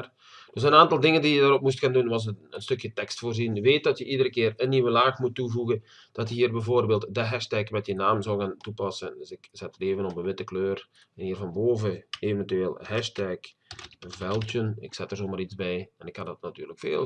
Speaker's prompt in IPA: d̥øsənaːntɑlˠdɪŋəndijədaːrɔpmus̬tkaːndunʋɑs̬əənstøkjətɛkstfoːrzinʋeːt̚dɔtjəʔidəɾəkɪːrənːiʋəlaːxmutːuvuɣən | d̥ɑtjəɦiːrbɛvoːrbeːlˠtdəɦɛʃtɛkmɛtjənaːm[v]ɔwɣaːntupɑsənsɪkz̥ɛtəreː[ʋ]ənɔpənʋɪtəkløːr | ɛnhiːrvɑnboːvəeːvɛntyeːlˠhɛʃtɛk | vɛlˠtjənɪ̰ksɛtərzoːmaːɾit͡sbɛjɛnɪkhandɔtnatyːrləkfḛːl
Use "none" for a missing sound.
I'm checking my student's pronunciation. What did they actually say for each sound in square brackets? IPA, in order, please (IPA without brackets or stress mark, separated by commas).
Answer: z, v